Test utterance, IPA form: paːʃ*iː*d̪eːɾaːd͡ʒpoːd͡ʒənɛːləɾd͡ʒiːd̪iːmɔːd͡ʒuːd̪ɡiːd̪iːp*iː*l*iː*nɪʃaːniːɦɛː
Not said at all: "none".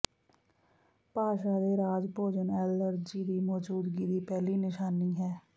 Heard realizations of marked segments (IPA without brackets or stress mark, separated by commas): aː, ɛː, iː